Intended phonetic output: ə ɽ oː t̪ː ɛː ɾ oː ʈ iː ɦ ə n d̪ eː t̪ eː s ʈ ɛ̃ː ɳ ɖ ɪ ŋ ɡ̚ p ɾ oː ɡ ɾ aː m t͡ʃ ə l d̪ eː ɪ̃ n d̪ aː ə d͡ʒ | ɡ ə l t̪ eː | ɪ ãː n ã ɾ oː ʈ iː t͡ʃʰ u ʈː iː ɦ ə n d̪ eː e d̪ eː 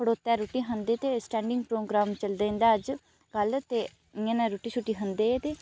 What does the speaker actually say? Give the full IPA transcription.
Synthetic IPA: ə ɽ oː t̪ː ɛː ɾ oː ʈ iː ɦ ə n d̪ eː t̪ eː s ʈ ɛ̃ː ɳ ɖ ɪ ŋ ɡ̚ p ɾ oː ɡ ɾ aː m t͡ʃ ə l d̪ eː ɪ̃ n d̪ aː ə d͡ʒ | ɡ ə l t̪ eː | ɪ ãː n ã ɾ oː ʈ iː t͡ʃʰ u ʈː iː ɦ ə n d̪ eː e t̪ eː